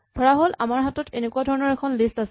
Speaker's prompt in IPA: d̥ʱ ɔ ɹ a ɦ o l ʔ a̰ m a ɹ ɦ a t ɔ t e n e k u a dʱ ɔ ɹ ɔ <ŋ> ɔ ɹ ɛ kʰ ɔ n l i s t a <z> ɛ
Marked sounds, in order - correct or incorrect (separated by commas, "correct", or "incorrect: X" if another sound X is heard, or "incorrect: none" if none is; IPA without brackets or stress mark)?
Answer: incorrect: n, incorrect: s